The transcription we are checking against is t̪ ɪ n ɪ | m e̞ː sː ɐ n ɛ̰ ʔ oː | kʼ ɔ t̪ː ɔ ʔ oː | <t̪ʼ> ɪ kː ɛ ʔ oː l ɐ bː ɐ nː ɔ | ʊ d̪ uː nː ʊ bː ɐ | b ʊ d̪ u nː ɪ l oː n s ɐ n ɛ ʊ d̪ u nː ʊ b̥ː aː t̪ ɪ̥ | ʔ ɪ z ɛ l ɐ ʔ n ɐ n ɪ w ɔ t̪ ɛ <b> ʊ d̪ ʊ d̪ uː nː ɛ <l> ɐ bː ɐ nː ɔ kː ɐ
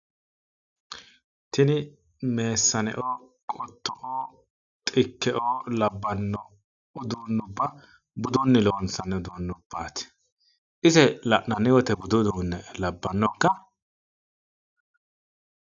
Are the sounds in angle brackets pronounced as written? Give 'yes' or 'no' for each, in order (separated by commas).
yes, yes, yes